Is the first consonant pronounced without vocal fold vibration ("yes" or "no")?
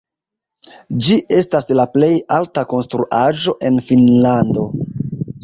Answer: no